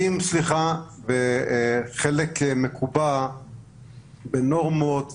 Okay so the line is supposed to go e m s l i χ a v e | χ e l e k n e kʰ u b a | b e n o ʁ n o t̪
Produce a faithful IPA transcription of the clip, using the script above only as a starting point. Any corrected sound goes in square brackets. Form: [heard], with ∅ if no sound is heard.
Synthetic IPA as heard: [i] m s l i χ a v e | χ e l e k [m] e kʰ u b a | b e n o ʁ [m] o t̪